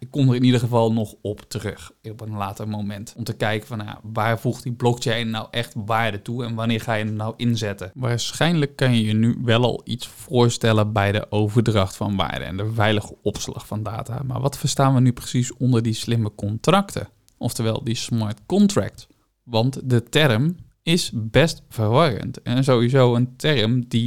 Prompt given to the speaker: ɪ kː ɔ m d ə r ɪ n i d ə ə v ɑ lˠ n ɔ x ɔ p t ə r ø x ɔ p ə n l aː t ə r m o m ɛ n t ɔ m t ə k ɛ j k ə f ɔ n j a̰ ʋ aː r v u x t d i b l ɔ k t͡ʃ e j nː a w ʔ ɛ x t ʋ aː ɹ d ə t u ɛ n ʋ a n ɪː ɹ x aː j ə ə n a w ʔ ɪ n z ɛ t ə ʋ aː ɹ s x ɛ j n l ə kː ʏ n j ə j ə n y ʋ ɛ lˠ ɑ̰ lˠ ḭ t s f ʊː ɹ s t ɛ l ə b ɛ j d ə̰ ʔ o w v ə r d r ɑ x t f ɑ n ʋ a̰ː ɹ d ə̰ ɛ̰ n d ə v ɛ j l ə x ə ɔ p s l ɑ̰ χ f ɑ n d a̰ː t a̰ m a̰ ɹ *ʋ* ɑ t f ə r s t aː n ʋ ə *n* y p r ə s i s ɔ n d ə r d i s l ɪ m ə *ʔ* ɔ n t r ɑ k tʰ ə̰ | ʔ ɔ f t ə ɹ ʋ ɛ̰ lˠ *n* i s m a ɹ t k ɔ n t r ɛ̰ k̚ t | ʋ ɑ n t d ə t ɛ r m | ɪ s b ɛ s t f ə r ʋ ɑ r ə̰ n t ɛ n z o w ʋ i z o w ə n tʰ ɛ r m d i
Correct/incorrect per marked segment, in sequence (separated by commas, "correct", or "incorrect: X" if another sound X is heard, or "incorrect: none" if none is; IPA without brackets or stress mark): correct, correct, incorrect: k, incorrect: d